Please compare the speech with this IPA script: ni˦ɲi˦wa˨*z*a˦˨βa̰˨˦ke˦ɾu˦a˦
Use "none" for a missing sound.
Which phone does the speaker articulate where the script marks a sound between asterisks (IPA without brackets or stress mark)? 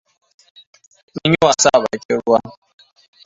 s